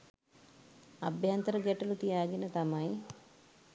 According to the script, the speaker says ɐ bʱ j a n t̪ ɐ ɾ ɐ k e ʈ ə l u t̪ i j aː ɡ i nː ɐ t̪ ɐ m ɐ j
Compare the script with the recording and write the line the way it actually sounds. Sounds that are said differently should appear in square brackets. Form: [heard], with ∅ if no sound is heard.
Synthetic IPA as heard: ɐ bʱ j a n t̪ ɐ ɾ ɐ [ɡ] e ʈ [ɐ] l u t̪ i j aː ɡ i [n] ɐ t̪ ɐ m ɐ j